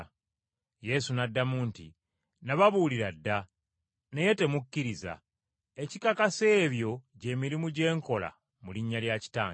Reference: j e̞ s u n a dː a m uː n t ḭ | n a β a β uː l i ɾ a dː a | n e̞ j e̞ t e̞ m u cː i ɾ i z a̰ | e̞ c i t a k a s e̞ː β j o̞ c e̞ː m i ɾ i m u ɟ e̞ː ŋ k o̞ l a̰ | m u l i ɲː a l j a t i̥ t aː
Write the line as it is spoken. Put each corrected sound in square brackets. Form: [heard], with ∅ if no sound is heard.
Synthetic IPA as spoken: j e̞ s u n a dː a m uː n t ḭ | n a β a β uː l i ɾ a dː a | n e̞ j e̞ t e̞ m u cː i ɾ i z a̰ | e̞ c i [k] a k a s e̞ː β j o̞ [ɟ] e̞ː m i ɾ i m u ɟ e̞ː ŋ k o̞ l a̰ | m u l i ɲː a l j a [c] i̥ t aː